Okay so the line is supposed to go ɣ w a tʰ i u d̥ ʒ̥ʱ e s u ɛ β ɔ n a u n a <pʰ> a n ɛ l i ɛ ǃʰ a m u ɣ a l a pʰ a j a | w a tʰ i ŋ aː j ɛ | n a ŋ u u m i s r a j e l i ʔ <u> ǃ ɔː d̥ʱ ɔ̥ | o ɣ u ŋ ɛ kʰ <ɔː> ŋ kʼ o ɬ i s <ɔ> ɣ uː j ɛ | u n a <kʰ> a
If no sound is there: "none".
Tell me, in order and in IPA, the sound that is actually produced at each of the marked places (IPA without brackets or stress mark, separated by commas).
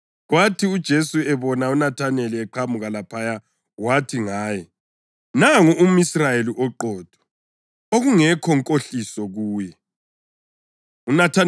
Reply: tʰ, ɔ, ɔ, ɔ, tʰ